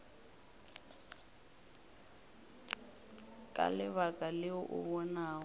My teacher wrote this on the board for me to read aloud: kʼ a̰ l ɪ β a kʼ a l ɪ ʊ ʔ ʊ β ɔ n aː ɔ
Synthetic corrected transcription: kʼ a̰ l ɪ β a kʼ a l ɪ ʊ ʔ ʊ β ɔ n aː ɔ